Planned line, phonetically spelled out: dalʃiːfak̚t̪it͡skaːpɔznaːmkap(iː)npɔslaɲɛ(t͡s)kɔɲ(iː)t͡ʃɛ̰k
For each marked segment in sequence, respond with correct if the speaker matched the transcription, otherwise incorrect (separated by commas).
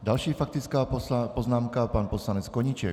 incorrect, correct, incorrect